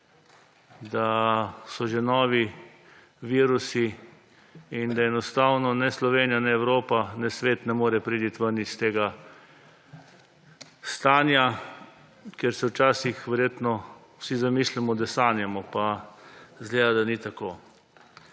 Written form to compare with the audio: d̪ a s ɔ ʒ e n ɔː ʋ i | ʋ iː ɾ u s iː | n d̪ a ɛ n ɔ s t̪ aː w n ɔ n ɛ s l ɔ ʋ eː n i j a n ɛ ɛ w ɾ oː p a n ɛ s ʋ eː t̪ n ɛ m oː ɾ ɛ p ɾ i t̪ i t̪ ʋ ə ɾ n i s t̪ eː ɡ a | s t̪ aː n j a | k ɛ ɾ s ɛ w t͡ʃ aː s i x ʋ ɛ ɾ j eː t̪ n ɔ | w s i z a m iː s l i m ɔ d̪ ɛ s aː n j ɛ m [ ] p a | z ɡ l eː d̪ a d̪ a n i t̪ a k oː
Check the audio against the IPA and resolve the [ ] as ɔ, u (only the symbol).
ɔ